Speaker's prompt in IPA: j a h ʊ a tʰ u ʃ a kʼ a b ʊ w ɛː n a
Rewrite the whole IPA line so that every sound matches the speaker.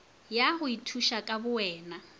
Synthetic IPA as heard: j a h ʊ i tʰ u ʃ a kʼ a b ʊ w ɛː n a